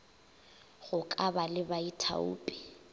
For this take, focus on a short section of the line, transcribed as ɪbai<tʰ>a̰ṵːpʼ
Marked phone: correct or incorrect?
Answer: correct